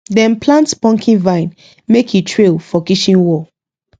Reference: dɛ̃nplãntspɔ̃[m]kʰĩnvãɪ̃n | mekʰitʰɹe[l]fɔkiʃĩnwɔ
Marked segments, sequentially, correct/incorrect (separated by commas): incorrect, correct